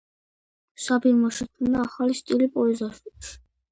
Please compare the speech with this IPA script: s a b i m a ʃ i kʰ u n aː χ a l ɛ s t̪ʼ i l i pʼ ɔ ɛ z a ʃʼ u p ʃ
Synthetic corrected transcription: s a b i m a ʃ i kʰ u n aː χ a l i s t̪ʼ i l i pʼ ɔ ɛ z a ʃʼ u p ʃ